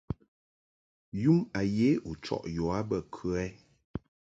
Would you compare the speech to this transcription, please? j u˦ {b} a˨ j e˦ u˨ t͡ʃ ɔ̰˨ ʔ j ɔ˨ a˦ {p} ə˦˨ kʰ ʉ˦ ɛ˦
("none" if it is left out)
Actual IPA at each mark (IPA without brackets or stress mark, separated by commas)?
m, b